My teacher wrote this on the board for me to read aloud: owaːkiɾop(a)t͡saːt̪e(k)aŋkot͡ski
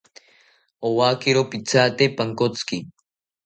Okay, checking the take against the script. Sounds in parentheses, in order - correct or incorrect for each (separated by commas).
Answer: incorrect, incorrect